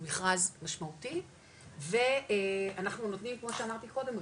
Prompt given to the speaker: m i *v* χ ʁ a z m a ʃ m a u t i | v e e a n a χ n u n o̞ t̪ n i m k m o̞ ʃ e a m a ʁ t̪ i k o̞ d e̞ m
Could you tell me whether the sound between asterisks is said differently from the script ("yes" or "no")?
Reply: yes